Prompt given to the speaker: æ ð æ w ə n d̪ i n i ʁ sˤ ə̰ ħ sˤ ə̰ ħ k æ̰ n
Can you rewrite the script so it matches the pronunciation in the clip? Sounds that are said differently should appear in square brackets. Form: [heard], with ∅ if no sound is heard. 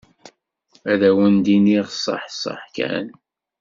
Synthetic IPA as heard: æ ð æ w ə n d̪ i n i ʁ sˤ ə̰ ħ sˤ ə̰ ħ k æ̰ n